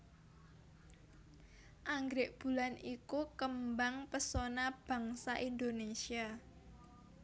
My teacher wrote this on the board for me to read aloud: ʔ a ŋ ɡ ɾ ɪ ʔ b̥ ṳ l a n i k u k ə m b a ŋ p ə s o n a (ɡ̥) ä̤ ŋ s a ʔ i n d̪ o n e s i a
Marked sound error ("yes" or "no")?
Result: yes